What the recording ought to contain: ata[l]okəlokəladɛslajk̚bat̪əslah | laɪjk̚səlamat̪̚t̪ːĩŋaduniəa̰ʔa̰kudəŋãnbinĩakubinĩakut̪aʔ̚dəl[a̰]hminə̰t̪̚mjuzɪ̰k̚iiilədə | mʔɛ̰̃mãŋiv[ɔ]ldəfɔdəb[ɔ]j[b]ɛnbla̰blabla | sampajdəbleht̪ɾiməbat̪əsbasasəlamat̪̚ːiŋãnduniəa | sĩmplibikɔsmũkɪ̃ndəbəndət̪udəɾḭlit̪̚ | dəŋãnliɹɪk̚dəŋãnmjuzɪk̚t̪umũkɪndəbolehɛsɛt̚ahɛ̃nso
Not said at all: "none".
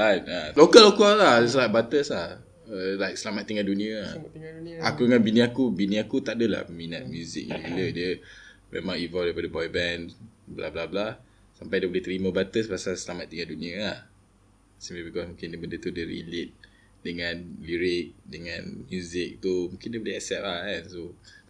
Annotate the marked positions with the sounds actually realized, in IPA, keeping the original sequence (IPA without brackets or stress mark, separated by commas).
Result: l, a̰, ɔ, ɔ, b